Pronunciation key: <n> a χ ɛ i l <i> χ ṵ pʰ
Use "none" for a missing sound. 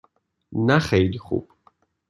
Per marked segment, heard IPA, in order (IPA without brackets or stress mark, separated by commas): n, i